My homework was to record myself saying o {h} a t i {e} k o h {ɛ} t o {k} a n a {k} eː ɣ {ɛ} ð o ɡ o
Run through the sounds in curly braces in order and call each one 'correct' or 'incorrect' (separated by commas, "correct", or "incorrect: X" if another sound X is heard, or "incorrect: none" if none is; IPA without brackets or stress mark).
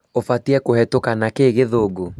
incorrect: f, incorrect: ɛ, correct, correct, correct, incorrect: e